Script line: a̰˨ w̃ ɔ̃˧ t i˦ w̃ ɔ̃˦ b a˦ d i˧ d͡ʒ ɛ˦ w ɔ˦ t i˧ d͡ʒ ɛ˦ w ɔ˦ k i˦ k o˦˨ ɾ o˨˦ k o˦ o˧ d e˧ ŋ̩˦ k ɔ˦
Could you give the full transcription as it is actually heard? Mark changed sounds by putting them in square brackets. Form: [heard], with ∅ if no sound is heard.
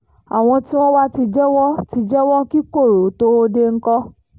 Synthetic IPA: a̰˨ w̃ ɔ̃˧ t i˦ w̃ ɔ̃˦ [w] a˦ [t] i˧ d͡ʒ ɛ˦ w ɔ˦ t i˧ d͡ʒ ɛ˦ w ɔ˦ k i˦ k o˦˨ ɾ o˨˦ [t] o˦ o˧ d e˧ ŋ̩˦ k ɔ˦